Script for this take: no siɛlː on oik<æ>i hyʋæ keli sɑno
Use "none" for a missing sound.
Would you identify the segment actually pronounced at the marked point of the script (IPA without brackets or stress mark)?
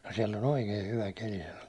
e